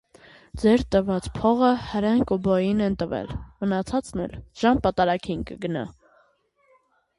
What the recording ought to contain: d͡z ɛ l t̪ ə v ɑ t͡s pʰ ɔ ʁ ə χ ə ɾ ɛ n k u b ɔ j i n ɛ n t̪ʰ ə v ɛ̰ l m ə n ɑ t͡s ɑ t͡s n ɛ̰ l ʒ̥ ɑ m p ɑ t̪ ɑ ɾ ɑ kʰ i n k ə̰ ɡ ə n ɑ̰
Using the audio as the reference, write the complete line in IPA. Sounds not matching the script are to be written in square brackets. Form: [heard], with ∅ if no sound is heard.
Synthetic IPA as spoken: d͡z ɛ [ɾ] t̪ ə v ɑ t͡s pʰ ɔ ʁ ə [h] ə ɾ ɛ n k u b ɔ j i n ɛ n [t̪] ə v ɛ̰ l m ə n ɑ [t͡sʰ] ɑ t͡s n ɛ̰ l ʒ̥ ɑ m p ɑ t̪ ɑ ɾ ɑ kʰ i n k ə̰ ɡ ə n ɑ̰